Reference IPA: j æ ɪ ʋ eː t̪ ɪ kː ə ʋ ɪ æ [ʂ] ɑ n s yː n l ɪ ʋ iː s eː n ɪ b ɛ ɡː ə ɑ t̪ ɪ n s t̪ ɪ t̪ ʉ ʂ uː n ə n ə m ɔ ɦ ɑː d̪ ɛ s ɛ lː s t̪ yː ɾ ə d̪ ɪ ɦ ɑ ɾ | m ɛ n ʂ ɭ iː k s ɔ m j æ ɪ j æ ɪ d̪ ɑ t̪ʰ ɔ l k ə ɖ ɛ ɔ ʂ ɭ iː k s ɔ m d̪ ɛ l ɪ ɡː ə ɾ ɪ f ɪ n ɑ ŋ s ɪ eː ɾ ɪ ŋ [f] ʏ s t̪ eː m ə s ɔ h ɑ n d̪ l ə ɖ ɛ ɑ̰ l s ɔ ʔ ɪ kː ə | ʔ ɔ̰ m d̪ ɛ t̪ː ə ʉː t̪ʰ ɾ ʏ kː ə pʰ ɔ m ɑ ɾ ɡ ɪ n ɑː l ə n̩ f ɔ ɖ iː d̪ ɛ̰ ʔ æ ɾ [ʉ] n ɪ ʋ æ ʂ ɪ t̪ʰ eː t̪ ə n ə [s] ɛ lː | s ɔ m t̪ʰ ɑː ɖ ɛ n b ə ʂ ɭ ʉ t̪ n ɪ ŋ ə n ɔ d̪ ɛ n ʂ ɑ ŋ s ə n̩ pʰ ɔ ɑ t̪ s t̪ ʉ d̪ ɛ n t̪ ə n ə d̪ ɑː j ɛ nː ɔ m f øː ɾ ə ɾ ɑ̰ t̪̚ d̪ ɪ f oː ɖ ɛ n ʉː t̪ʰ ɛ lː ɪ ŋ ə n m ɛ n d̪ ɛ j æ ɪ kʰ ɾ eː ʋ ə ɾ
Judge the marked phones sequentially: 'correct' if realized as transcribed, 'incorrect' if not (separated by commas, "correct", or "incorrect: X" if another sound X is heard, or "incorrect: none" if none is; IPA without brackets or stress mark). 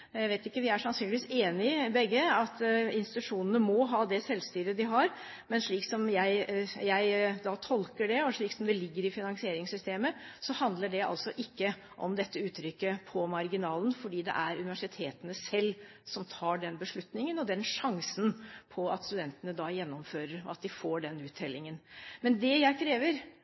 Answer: correct, incorrect: s, correct, correct